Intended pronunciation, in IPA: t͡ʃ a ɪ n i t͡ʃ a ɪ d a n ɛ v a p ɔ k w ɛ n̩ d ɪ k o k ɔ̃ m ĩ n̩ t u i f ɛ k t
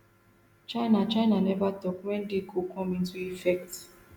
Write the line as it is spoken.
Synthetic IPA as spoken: t͡ʃ a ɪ n a t͡ʃ a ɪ n a n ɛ v a t ɔ k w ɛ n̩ d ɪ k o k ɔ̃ m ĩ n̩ t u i f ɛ k t